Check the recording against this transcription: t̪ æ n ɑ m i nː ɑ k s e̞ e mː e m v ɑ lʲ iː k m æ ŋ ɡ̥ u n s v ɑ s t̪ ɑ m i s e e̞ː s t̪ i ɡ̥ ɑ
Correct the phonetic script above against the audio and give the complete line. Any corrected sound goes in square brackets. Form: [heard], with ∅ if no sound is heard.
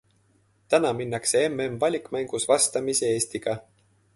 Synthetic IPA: t̪ æ n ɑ m i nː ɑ k s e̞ e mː e m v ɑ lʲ [i] k m æ ŋ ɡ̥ u [∅] s v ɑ s t̪ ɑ m i s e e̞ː s t̪ i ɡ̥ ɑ